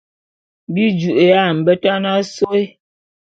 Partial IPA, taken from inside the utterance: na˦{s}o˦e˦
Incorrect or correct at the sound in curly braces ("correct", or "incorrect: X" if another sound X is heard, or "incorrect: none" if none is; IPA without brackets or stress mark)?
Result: correct